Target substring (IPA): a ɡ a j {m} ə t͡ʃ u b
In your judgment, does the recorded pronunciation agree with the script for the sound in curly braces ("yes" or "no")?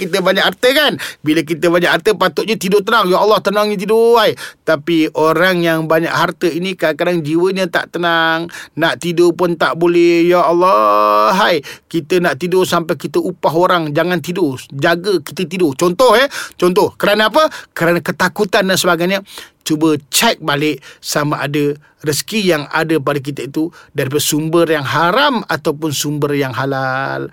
no